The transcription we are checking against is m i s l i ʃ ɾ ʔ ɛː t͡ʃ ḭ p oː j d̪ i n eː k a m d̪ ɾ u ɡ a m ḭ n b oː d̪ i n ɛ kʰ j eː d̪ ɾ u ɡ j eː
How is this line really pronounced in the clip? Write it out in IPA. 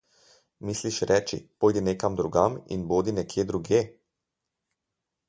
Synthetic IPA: m i s l i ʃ ɾ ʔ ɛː t͡ʃ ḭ p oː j d̪ i n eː k a m d̪ ɾ u ɡ a m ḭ n b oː d̪ i n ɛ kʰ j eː d̪ ɾ u ɡ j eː